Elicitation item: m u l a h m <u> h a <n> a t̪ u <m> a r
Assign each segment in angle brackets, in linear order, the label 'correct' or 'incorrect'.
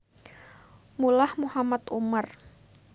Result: correct, incorrect: m, correct

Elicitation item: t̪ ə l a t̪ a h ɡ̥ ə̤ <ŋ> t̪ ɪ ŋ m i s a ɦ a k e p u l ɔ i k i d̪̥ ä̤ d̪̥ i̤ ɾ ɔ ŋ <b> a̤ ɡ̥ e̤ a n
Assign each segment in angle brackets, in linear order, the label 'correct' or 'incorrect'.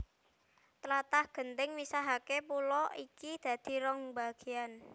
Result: incorrect: n, correct

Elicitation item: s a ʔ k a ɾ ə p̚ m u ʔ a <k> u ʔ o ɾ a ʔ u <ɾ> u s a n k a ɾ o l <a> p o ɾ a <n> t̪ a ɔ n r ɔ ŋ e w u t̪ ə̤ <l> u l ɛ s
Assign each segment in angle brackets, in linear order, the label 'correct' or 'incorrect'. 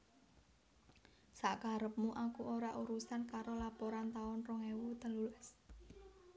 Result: correct, correct, correct, correct, correct

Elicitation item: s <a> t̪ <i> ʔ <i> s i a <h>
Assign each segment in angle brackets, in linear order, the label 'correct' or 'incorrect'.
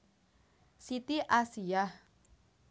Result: incorrect: i, correct, incorrect: a, correct

